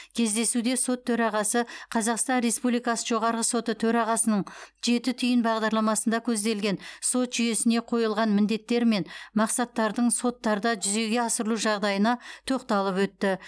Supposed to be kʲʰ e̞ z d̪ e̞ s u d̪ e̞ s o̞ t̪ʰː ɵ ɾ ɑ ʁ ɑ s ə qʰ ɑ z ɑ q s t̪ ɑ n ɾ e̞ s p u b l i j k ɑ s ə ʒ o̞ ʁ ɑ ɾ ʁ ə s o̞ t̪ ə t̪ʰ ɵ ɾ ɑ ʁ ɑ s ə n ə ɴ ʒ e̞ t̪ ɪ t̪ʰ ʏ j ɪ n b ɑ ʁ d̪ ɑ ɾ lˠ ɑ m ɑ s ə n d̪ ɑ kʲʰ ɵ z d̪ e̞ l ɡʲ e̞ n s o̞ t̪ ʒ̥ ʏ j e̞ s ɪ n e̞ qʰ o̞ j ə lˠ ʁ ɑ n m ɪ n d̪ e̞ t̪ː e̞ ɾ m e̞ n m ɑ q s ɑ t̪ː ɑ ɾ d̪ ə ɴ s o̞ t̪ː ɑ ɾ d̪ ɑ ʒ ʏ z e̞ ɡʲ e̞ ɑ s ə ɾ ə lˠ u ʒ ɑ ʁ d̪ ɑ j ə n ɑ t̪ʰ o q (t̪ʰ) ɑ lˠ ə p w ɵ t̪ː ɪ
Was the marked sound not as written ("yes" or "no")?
yes